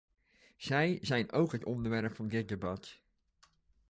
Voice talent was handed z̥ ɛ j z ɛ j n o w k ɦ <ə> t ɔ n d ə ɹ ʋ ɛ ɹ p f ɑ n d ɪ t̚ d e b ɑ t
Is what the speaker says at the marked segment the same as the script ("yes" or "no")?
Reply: yes